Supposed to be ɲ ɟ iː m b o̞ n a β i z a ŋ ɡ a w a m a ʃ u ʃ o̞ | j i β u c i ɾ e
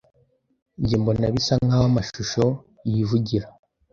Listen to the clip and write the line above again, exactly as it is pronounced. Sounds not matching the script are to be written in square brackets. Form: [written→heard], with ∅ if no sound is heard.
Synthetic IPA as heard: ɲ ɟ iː m b o̞ n a β i [z→s] a ŋ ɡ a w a m a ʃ u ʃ o̞ | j i [β→v] u [c→ɟ] i ɾ [e→a]